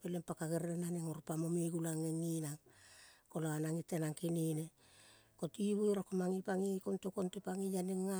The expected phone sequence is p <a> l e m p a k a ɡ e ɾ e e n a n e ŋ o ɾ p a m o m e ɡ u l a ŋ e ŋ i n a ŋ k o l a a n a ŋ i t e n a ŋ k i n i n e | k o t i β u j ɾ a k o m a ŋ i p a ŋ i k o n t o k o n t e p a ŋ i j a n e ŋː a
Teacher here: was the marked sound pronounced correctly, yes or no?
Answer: no